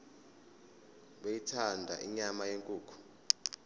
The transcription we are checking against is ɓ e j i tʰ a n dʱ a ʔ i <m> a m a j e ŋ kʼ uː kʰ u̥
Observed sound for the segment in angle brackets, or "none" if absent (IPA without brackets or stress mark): ɲ